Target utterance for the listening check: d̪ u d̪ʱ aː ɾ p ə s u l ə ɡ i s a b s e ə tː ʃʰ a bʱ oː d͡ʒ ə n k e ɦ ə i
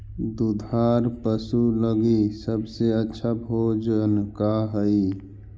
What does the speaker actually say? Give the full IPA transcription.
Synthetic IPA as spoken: d̪ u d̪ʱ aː ɾ p ə s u l ə ɡ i s ə b s e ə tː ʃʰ a bʱ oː d͡ʒ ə n k a ɦ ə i